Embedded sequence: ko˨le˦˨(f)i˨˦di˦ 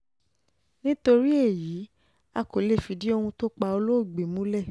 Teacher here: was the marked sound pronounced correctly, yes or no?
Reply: yes